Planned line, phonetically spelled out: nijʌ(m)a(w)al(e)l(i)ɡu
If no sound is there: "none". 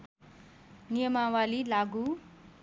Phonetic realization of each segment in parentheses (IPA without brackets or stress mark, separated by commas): m, w, i, a